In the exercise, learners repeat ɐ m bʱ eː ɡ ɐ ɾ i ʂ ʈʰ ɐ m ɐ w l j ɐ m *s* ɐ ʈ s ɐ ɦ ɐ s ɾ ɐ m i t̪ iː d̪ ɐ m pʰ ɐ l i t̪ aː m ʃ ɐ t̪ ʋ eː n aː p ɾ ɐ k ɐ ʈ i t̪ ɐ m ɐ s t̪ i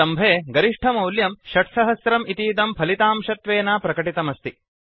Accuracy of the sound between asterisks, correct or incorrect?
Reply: incorrect